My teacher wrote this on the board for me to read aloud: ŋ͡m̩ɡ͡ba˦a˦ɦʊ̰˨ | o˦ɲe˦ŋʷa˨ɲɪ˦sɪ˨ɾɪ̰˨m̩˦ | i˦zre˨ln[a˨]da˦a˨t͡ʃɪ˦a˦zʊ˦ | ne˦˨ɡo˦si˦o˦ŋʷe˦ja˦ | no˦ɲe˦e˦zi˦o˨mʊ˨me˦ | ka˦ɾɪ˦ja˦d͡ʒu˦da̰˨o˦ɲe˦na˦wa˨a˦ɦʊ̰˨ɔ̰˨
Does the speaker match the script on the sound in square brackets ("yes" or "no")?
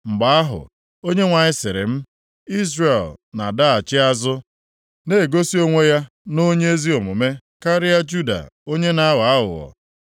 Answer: yes